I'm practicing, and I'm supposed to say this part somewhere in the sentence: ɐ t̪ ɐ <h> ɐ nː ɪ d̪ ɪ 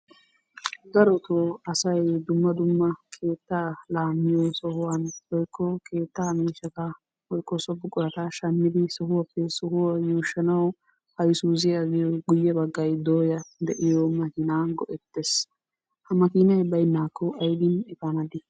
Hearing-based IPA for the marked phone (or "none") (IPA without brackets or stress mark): ʃ